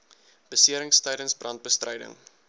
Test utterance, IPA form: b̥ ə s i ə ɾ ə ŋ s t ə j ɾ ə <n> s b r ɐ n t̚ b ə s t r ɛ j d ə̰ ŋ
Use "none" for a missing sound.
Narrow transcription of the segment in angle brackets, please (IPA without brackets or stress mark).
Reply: n